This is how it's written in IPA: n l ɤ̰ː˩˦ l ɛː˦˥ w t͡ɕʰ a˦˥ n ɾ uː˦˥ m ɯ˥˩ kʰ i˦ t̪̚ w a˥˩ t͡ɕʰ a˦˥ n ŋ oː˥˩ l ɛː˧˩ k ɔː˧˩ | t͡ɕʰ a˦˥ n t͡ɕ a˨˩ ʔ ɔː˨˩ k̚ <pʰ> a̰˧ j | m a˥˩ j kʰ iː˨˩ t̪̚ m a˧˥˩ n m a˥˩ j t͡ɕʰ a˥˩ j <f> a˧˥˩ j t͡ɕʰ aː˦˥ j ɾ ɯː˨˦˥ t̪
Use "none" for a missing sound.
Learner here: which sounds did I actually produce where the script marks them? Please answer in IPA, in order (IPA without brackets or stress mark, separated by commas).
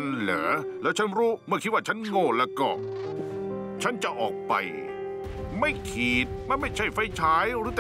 p, f